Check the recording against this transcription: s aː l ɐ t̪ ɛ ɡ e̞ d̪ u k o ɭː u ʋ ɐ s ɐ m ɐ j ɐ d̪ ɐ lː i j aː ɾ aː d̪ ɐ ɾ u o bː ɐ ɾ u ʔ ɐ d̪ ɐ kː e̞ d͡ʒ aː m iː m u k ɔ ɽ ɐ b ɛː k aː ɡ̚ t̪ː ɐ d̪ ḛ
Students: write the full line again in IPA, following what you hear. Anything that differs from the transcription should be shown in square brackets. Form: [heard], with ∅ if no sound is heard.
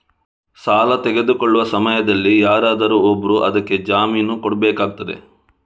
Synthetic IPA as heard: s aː l ɐ t̪ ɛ ɡ e̞ d̪ u k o ɭː u ʋ ɐ s ɐ m ɐ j ɐ d̪ ɐ lː i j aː ɾ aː d̪ ɐ ɾ u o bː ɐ ɾ u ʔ ɐ d̪ ɐ kː e̞ d͡ʒ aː m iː [n] u k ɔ ɽ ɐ b ɛː k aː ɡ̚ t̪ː ɐ d̪ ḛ